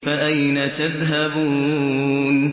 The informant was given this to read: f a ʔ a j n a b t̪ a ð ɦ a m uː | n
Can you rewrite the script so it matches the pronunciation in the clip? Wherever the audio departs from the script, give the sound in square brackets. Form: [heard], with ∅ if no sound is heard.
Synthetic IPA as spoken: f a ʔ a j n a [∅] t̪ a ð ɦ a [b] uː | n